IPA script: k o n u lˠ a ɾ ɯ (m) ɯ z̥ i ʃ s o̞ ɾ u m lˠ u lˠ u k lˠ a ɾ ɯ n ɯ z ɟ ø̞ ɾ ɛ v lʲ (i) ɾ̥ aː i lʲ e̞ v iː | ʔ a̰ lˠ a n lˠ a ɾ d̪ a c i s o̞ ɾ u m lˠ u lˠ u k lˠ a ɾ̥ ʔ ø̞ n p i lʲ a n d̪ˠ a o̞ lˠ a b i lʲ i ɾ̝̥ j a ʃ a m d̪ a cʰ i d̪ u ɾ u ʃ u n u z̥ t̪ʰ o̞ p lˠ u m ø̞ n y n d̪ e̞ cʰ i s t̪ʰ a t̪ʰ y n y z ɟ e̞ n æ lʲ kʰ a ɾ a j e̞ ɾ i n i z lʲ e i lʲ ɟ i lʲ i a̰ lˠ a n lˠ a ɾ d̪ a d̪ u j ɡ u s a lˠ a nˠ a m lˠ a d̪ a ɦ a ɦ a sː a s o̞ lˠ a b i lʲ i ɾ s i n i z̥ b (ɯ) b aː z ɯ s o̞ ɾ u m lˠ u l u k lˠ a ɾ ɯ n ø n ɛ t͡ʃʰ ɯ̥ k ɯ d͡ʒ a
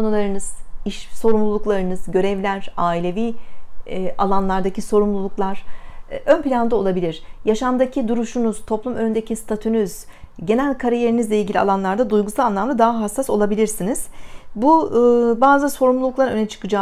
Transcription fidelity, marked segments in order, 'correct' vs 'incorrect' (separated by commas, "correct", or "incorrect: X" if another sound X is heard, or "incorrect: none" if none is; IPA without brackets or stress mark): incorrect: n, incorrect: æ, incorrect: u